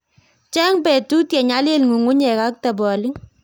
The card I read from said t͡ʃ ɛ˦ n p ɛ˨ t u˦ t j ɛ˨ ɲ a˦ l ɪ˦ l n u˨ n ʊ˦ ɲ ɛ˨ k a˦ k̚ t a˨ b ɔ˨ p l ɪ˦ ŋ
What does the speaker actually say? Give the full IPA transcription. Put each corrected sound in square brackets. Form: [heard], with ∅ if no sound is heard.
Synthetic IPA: t͡ʃ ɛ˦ [ŋ] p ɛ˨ t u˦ t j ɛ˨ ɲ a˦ l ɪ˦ l [ŋ] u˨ [ŋ] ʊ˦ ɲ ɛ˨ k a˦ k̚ t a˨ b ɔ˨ [∅] l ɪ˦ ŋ

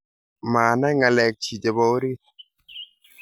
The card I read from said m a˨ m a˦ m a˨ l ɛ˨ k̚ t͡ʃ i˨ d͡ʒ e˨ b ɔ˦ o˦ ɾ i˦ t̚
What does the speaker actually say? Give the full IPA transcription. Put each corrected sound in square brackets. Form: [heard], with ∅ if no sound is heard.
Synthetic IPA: m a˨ [n] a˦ [ŋ] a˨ l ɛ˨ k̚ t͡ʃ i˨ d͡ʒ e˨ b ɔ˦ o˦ ɾ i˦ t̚

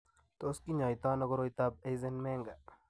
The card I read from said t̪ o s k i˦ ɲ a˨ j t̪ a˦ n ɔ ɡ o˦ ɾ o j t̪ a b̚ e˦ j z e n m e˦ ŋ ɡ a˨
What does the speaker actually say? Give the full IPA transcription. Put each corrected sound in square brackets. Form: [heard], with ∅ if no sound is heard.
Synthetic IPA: t̪ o s k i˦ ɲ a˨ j t̪ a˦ n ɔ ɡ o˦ ɾ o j t̪ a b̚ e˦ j z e n m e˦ ŋ ɡ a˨

